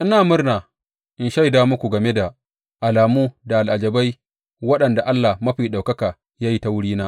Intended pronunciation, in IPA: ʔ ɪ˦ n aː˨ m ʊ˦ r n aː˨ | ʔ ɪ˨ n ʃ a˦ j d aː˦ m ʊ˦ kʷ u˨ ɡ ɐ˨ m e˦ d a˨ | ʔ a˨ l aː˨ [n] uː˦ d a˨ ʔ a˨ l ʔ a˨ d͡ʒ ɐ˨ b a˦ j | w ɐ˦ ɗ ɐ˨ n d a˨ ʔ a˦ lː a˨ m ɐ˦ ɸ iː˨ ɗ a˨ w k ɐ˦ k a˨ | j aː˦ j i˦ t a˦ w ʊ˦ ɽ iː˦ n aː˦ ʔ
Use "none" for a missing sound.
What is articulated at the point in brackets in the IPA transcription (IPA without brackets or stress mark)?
m